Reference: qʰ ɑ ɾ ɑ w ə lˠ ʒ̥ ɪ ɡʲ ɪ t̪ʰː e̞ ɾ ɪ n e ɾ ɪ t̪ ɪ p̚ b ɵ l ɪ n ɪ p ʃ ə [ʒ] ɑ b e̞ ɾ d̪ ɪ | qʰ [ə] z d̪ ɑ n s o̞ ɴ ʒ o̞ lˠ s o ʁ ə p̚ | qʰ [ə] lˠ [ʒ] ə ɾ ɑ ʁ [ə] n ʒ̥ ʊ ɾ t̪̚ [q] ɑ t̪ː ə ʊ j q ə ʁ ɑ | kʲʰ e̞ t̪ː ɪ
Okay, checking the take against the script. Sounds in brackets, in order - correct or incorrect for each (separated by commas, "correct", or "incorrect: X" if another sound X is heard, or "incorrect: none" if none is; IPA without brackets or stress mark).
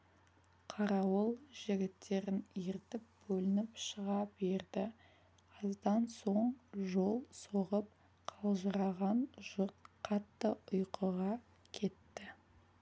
incorrect: ʁ, incorrect: ɑ, incorrect: ɑ, correct, incorrect: ɑ, incorrect: qʰ